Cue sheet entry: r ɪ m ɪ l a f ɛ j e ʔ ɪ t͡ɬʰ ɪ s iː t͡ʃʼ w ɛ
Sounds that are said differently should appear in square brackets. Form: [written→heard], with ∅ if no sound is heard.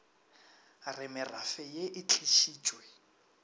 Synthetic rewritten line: r ɪ m ɪ [l→r] a f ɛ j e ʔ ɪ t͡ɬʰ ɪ [s→ʃ] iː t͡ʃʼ w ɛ